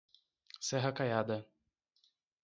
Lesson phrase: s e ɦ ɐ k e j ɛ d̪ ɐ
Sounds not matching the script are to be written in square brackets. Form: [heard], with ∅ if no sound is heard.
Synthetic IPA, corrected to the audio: s [ɛ] ɦ ɐ k [a] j [a] d̪ ɐ